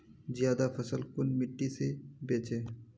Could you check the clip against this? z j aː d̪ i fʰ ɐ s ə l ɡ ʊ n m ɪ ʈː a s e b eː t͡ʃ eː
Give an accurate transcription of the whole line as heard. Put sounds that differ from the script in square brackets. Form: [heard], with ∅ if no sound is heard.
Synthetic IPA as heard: z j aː d̪ [a] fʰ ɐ s ə l [k] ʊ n m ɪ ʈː [i] s e b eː t͡ʃ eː